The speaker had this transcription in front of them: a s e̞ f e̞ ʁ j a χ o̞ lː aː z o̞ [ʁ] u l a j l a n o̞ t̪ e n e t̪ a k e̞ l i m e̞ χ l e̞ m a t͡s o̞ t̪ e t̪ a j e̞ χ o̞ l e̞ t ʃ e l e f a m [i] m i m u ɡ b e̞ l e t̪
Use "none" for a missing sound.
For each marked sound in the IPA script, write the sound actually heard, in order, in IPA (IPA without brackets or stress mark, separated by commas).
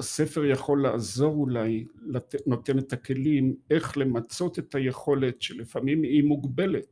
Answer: ʁ, i